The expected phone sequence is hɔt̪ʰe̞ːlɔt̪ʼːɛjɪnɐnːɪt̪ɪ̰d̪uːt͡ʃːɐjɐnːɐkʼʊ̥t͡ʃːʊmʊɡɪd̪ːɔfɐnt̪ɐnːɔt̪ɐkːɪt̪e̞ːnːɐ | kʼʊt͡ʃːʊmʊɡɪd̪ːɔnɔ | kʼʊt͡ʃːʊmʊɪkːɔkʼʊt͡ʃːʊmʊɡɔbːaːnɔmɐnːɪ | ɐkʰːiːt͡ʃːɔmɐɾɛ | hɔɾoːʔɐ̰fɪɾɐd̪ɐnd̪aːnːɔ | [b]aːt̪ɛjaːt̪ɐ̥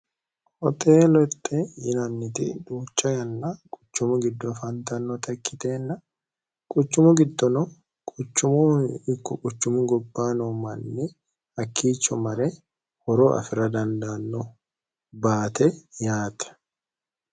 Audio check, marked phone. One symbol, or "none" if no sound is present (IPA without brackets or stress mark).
b